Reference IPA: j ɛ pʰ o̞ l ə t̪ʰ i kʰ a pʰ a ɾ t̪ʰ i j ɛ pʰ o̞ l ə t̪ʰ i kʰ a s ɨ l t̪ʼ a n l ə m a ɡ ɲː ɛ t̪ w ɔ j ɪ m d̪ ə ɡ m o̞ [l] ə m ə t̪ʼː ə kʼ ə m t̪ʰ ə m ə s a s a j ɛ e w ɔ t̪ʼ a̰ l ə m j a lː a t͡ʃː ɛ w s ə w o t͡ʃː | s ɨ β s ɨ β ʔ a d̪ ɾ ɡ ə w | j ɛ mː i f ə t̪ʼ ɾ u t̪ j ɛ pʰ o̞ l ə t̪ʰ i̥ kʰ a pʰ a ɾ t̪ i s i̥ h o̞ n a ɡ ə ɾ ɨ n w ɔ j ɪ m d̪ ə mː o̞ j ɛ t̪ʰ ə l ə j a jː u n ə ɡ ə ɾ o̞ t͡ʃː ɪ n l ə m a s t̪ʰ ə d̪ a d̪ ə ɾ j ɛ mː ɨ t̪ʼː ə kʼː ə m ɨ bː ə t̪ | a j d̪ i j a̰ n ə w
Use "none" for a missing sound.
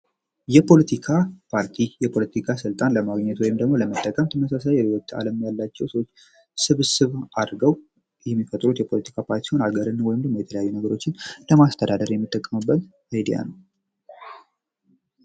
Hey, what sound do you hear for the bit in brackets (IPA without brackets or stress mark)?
l